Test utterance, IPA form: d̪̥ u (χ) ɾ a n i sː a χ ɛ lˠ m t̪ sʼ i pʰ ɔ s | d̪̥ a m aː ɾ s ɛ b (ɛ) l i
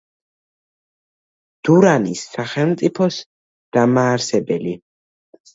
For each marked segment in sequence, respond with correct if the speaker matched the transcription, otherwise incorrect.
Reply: incorrect: none, correct

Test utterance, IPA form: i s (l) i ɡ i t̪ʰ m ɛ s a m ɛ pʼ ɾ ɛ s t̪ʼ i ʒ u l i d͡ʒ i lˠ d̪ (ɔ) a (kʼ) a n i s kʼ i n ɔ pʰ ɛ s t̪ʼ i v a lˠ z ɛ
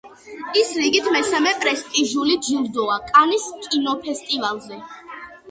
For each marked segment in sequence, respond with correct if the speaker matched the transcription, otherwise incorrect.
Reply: incorrect: ɾ, correct, correct

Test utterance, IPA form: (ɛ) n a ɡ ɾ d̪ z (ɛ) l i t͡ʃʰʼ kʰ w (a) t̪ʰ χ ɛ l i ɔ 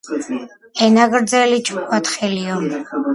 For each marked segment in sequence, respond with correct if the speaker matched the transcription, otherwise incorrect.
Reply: correct, correct, correct

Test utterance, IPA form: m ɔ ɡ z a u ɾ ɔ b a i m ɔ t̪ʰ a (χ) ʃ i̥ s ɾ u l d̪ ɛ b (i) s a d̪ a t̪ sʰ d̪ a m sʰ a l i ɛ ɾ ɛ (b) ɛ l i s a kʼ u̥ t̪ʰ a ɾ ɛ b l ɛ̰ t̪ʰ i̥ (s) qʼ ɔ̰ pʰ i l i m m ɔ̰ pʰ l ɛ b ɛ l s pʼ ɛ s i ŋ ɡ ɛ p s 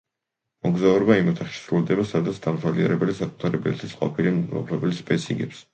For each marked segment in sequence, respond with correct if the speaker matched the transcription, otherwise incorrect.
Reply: correct, incorrect: a, correct, correct

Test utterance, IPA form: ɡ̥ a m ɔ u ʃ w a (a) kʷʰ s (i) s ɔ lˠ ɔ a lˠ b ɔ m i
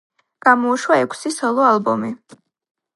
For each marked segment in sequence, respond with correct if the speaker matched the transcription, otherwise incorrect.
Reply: incorrect: ɛ, correct

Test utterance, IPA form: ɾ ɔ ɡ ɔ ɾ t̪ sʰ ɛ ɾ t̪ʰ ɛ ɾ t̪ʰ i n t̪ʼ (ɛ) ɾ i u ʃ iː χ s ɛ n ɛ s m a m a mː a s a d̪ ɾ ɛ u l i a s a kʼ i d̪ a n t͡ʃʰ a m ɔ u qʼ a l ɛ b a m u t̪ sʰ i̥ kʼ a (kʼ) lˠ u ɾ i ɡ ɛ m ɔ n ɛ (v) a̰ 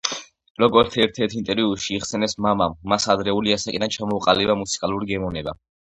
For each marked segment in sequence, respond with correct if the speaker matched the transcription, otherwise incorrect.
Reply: correct, incorrect: none, incorrect: b

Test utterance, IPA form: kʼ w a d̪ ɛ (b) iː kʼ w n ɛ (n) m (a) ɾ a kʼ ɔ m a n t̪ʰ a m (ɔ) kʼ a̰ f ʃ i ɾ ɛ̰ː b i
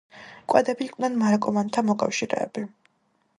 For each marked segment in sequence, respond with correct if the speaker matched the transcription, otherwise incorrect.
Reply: correct, correct, correct, correct

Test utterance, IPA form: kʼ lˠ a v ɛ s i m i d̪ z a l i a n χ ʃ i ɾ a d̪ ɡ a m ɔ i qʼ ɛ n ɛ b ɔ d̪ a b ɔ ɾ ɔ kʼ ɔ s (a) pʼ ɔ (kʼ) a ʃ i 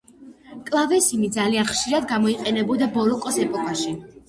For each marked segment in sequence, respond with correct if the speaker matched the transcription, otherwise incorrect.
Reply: incorrect: ɛ, correct

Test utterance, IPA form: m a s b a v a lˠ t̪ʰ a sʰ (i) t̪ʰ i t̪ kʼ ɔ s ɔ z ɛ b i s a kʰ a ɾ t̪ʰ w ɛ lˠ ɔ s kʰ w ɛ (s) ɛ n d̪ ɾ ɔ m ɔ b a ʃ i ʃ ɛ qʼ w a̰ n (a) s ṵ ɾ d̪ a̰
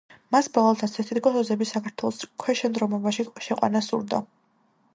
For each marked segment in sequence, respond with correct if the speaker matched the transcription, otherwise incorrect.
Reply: incorrect: ɛ, incorrect: ʃ, correct

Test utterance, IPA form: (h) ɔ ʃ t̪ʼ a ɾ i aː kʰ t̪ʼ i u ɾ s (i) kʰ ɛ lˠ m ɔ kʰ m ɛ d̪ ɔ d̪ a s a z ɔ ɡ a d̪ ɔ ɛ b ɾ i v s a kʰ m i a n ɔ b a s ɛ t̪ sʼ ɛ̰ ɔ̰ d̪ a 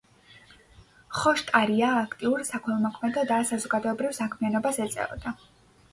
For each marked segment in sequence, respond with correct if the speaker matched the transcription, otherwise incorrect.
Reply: incorrect: χ, incorrect: a

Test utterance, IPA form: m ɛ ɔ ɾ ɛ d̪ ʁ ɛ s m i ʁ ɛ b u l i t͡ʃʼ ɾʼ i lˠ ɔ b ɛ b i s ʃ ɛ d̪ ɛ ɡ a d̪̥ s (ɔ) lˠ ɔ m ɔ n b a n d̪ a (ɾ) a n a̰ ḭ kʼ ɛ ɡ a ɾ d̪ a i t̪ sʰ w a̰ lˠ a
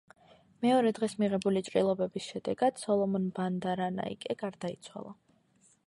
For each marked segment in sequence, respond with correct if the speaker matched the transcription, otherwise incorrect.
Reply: correct, correct

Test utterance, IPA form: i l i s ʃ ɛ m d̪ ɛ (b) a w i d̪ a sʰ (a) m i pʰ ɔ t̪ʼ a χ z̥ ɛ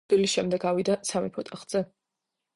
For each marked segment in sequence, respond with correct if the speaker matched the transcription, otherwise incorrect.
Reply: incorrect: ɡ, correct

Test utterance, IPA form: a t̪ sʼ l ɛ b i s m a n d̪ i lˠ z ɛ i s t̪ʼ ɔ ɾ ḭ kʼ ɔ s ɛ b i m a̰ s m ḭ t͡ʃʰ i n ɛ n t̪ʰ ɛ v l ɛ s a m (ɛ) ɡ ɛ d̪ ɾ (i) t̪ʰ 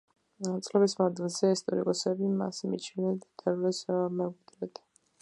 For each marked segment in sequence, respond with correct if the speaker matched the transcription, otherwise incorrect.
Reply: correct, incorrect: ɛ

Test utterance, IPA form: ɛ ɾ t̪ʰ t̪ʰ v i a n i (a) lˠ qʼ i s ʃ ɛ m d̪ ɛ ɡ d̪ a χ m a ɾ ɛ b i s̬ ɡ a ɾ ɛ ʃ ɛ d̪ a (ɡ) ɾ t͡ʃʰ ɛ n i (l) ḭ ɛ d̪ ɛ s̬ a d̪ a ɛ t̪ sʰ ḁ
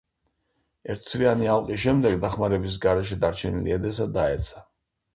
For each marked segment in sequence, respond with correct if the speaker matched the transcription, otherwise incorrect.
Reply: correct, incorrect: none, correct

